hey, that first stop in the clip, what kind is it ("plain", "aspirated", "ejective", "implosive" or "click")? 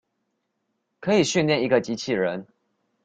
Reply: aspirated